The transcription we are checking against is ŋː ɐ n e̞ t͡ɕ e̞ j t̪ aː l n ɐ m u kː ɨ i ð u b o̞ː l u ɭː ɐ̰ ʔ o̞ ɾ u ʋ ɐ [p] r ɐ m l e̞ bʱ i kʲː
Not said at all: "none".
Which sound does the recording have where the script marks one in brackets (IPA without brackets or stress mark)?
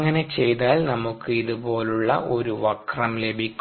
k